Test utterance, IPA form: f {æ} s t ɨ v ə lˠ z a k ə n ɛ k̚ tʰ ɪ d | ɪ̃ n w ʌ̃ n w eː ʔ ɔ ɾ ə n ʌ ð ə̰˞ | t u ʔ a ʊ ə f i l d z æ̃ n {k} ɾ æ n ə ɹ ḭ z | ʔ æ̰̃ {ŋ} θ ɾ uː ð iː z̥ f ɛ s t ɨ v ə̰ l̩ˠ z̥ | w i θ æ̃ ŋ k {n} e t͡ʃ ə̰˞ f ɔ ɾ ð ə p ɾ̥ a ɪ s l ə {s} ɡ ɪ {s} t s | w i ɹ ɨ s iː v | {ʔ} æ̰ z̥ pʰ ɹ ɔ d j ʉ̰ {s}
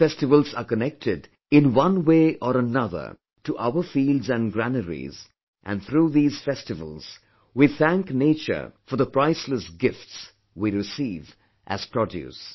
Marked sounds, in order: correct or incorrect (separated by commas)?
incorrect, incorrect, incorrect, correct, correct, incorrect, correct, correct